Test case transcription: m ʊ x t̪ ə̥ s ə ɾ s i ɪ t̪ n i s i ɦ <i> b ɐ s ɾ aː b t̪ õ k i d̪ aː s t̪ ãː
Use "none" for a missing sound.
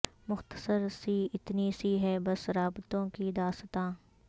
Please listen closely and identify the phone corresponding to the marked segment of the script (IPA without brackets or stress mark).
ɛ